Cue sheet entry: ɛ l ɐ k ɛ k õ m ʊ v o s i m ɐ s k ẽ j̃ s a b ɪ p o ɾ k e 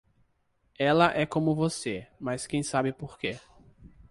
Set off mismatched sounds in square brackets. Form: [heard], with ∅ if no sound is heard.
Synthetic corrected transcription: ɛ l ɐ [ʔ] ɛ k õ m ʊ v o s [e] m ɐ s k ẽ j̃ s a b ɪ p o ɾ k e